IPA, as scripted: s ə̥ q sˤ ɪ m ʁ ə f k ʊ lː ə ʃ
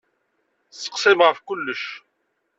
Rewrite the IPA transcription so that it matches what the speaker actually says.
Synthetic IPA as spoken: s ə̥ q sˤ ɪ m ʁ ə f k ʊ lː ə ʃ

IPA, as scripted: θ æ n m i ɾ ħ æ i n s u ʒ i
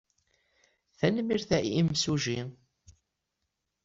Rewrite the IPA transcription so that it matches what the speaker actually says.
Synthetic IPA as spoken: θ æ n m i ɾ θ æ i m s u ʒ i

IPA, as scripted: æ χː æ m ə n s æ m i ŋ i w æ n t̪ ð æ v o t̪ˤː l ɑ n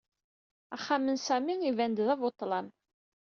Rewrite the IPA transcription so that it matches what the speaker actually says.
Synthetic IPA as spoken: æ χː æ m ə n s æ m i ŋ i v æ n d̪ ð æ v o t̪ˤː l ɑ n

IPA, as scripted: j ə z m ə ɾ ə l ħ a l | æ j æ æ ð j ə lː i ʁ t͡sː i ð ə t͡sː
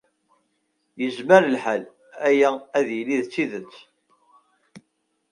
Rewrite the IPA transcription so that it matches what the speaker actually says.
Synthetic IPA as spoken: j ə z m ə ɾ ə l ħ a l | æ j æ æ ð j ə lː i ð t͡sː i ð ə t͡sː

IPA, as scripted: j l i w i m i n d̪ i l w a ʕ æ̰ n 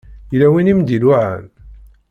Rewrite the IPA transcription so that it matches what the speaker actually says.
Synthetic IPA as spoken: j l æ w i n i m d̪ i l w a ʕ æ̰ n

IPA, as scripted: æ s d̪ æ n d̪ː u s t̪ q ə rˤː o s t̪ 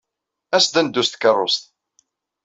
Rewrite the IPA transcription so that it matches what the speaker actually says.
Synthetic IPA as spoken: æ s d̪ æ n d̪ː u s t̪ k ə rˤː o s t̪

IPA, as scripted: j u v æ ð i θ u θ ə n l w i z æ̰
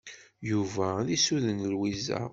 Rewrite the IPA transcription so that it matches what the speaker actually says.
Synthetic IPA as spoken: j u v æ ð i s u ð ə n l w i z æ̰

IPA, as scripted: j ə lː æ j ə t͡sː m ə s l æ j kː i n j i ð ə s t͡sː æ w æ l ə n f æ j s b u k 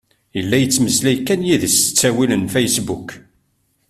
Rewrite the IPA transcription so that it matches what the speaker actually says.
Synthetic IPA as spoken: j ə lː æ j ə t͡sː m ə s l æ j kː æ n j i ð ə s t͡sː æ w i l ə n f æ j s b u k

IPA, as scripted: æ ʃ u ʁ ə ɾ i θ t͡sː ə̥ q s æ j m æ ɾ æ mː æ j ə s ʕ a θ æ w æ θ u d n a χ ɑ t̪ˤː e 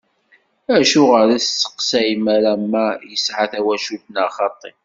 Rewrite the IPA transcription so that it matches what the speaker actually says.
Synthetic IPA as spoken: æ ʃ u ʁ ə ɾ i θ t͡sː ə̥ q s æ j m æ ɾ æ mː æ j ə s ʕ a θ æ w æ ʃ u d n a χ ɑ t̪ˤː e

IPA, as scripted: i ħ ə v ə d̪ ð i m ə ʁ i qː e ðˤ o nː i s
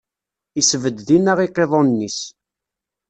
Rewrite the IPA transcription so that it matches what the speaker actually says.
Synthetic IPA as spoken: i s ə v ə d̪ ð i n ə ʁ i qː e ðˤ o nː i s

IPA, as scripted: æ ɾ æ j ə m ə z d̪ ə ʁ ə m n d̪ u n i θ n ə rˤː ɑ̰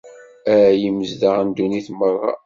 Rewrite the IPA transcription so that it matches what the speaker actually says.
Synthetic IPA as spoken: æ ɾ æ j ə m ə z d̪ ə ʁ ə n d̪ u n i θ m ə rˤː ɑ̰

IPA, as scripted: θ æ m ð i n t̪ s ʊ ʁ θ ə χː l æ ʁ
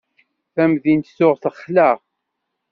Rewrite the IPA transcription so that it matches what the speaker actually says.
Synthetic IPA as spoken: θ æ m ð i n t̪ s ʊ ʁ θ ə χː l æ ʁ

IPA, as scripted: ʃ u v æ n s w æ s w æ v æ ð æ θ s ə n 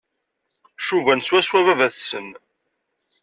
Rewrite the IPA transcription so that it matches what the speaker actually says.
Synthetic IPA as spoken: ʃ u v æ n s w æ s w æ v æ v æ θ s ə n

